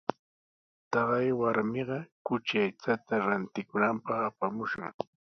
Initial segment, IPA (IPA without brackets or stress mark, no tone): t̪